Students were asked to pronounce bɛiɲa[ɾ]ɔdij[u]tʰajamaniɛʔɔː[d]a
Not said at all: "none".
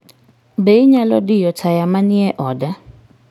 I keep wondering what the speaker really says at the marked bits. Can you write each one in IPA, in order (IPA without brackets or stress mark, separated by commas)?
l, ɔ, d